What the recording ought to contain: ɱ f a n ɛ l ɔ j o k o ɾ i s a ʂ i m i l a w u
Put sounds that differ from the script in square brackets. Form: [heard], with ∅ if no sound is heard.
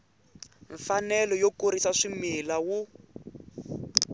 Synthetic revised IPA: ɱ f a n ɛ l ɔ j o k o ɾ i s a ʂ i m i l a w u